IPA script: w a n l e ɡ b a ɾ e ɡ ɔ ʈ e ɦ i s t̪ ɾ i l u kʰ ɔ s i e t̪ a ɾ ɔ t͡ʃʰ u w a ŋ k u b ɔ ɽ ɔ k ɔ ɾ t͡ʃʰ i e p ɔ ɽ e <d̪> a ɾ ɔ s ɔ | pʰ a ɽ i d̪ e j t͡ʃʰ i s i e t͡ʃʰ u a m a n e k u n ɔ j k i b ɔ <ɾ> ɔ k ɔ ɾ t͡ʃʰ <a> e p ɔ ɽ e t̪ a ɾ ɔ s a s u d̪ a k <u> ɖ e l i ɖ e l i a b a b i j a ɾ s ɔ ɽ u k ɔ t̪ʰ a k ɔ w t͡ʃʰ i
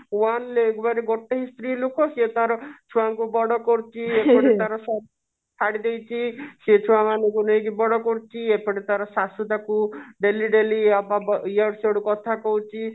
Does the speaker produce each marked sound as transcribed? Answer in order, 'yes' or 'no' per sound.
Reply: no, no, no, yes

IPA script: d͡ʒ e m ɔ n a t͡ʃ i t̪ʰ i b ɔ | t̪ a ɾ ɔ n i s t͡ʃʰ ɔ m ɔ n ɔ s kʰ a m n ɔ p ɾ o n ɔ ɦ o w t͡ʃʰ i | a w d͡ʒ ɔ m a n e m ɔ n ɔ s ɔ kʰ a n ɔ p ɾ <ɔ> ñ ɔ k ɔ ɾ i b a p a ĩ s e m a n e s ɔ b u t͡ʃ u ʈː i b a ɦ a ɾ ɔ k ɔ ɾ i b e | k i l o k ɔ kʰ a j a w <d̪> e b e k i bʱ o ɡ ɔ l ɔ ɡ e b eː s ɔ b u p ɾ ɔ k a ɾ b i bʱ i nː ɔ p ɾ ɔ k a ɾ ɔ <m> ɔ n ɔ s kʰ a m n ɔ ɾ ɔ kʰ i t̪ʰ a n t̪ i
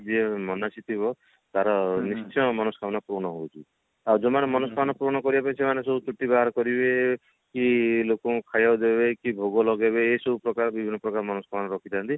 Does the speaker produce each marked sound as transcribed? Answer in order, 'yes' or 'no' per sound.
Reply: no, yes, yes

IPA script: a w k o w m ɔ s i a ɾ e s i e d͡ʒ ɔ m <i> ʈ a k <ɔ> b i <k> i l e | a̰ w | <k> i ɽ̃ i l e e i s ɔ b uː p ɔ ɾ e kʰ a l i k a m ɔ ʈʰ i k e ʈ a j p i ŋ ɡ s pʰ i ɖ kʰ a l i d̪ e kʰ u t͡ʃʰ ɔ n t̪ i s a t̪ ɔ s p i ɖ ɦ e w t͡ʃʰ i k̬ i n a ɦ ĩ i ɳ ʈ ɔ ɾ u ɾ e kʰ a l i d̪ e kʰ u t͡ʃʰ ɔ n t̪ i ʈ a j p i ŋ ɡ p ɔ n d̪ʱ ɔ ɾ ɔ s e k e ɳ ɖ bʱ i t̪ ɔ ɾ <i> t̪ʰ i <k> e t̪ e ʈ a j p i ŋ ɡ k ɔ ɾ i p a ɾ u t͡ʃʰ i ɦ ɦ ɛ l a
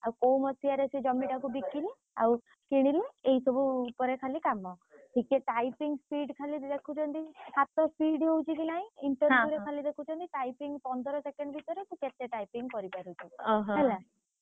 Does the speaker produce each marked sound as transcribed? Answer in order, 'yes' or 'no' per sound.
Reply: yes, no, yes, yes, no, yes

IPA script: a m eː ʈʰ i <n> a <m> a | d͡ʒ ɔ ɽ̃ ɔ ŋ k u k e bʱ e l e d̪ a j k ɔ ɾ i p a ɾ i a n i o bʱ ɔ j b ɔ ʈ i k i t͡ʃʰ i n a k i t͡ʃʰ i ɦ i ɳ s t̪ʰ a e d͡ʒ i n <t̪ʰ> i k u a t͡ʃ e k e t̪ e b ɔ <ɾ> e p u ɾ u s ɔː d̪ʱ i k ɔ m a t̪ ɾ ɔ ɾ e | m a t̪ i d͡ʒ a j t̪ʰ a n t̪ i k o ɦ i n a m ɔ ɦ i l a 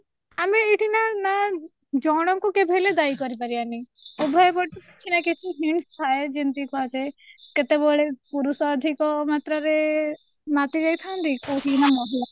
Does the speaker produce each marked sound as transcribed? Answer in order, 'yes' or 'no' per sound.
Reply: yes, no, no, no

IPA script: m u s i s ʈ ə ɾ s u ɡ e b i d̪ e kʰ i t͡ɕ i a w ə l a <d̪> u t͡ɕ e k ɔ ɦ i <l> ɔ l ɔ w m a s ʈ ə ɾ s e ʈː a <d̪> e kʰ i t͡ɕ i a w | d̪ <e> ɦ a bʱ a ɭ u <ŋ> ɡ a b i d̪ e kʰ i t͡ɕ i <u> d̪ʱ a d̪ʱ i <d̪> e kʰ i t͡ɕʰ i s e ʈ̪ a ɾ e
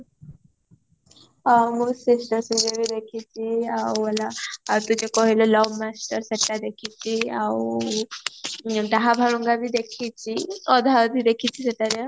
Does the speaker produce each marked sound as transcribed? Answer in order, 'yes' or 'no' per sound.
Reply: no, yes, yes, no, yes, no, yes

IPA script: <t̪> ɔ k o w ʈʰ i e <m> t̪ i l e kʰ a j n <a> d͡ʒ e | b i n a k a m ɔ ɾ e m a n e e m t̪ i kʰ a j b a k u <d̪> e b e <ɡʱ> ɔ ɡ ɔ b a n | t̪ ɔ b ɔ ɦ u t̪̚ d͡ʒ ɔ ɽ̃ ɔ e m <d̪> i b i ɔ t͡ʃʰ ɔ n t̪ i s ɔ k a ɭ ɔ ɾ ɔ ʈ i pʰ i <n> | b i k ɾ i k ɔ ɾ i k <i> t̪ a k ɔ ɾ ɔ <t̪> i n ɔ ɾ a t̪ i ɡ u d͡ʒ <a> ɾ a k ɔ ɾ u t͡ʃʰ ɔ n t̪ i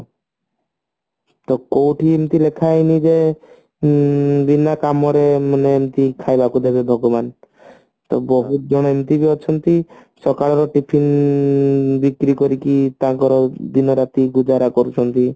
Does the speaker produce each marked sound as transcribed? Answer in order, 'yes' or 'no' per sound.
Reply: yes, yes, no, yes, no, no, yes, yes, no, yes

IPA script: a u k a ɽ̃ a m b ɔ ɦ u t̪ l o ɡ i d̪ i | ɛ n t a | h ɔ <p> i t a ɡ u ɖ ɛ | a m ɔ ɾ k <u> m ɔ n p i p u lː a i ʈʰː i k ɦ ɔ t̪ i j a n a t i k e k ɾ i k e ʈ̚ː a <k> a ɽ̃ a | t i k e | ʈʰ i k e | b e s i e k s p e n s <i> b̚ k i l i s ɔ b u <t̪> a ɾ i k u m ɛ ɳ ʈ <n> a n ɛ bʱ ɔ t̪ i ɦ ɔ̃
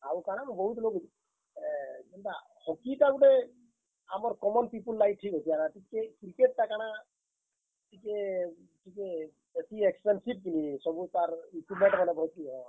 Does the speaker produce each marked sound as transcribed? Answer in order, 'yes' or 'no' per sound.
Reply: no, no, yes, yes, yes, no

